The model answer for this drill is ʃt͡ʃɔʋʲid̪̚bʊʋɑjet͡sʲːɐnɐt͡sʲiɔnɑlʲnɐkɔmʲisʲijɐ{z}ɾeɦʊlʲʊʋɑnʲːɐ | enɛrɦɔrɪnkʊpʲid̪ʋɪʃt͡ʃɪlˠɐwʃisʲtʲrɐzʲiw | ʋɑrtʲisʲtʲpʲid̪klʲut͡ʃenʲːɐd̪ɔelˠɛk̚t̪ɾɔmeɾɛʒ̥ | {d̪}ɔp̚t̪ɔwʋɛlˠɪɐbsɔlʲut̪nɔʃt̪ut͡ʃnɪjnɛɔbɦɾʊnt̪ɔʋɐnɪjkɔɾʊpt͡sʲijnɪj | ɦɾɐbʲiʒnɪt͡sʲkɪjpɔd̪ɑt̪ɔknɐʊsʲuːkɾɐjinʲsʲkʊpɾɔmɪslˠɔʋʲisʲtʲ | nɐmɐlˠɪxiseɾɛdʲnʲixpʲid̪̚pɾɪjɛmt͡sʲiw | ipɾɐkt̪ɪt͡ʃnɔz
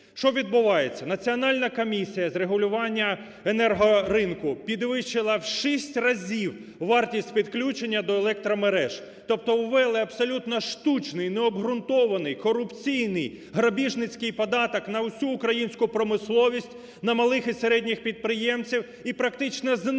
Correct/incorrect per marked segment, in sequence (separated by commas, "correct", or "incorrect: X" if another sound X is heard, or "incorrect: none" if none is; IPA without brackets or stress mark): correct, incorrect: t̪